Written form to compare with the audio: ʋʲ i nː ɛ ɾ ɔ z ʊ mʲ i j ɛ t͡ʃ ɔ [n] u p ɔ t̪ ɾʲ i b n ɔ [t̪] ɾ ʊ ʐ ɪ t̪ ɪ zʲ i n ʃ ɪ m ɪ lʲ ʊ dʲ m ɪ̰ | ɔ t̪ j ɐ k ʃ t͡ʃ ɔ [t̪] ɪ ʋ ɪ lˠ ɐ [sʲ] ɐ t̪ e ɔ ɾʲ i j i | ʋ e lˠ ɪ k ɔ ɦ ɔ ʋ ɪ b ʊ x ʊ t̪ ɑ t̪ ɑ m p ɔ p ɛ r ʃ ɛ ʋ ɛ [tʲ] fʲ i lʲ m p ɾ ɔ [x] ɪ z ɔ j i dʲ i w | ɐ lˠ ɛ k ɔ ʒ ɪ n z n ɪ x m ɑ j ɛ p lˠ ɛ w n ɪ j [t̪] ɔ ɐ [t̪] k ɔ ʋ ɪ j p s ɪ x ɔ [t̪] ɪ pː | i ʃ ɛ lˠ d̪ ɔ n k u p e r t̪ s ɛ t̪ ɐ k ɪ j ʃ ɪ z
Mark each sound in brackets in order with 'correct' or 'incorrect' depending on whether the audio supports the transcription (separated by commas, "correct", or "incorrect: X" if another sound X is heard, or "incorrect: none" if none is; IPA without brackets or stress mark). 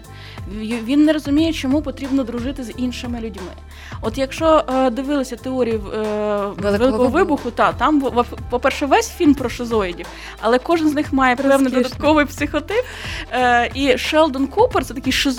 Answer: incorrect: m, incorrect: d̪, incorrect: d̪, correct, incorrect: sʲ, incorrect: ʃ, incorrect: d̪, correct, correct